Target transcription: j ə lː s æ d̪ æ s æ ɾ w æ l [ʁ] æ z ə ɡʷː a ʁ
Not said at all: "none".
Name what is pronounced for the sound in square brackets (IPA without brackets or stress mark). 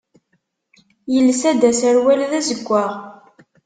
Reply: ð